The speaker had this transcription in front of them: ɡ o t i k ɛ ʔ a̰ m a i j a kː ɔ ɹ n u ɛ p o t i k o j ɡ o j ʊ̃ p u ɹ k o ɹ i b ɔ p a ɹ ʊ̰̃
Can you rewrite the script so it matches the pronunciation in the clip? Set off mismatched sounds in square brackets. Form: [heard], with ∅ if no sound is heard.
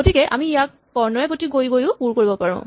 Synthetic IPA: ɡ o t i k ɛ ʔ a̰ m [i] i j a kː ɔ ɹ n [ɔ] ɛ p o t i [ɡ] o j ɡ o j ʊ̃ p u ɹ k o ɹ i b ɔ p a ɹ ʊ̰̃